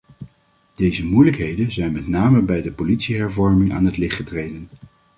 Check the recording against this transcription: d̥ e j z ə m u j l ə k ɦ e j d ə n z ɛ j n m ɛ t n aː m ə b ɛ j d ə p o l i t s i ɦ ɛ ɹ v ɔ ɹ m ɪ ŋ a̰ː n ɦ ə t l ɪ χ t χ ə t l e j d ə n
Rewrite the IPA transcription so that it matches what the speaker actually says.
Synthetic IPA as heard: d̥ e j z ə m u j l ə k ɦ e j d ə n z ɛ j n m ɛ t n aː m ə b ɛ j d ə p o l i t s i ɦ ɛ ɹ v ɔ ɹ m ɪ ŋ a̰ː n ɦ ə t l ɪ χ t χ ə t r e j d ə n